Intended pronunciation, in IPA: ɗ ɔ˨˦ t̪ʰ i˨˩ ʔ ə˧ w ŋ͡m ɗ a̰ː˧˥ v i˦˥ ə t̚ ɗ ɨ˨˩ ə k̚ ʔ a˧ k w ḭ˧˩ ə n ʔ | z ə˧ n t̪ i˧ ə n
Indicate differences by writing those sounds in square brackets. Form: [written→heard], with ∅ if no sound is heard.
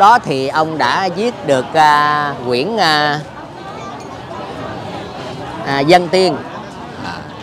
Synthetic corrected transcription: ɗ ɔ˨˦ t̪ʰ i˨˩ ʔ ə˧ w ŋ͡m ɗ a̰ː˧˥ [v→z] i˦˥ ə t̚ ɗ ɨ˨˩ ə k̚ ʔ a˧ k w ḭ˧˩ ə n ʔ | z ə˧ n t̪ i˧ ə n